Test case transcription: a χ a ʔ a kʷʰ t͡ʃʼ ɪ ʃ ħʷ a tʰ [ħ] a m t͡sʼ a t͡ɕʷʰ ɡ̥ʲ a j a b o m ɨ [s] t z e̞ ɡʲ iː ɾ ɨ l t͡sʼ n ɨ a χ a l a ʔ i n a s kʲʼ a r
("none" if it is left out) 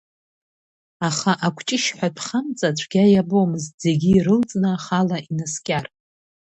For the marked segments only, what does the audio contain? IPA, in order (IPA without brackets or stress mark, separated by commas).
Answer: χ, z